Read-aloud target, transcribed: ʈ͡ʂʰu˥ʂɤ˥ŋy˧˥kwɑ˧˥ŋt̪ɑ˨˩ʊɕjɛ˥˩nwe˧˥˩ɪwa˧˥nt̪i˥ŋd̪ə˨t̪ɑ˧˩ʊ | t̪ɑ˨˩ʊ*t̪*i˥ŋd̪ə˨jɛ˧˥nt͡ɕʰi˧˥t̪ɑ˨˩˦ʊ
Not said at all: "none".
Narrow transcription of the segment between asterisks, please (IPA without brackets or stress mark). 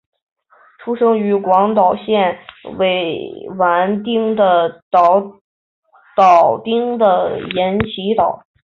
t̪